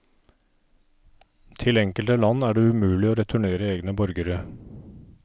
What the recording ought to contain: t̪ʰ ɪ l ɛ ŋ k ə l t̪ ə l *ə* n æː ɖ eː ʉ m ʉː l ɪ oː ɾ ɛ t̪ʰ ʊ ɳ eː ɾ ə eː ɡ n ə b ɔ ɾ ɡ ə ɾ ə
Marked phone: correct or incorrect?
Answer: incorrect